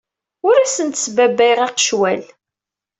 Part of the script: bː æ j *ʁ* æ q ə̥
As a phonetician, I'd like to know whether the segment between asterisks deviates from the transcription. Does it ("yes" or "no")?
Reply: no